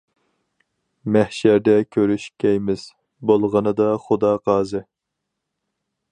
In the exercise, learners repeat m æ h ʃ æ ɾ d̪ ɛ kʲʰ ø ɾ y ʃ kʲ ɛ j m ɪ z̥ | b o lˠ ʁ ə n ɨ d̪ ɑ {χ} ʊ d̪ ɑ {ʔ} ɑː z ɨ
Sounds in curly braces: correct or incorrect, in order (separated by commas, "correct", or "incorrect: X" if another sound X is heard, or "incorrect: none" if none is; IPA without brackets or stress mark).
correct, incorrect: q